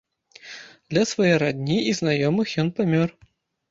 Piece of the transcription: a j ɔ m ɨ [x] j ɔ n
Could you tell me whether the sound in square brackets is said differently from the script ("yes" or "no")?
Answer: no